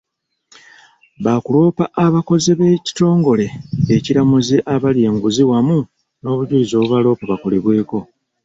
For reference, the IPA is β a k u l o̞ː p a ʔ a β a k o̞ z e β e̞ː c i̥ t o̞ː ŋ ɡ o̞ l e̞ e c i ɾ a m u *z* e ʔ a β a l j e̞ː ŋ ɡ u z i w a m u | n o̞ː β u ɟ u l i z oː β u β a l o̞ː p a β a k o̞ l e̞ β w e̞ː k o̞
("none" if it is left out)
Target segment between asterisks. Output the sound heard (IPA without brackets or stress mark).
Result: z